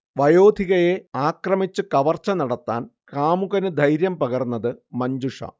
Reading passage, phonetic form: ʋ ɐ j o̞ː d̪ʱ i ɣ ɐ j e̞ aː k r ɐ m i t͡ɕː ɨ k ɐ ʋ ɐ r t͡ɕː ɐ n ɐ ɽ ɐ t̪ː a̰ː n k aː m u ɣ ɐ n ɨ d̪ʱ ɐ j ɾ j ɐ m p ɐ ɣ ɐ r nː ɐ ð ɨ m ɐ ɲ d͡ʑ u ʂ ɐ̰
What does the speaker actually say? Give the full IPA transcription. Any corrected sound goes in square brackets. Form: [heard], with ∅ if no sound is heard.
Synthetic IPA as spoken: ʋ ɐ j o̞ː d̪ʱ i ɣ ɐ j e̞ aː k r ɐ m i t͡ɕː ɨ k ɐ ʋ ɐ r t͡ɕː ɐ n ɐ ɽ ɐ t̪ː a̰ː n k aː m u ɣ ɐ n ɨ d̪ʱ ɐ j ɾ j ɐ m p ɐ ɣ ɐ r nː ɐ ð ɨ m ɐ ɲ d͡ʑ u ʂ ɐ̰